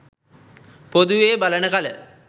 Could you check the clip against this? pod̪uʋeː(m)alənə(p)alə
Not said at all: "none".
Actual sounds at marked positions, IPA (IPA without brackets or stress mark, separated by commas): b, k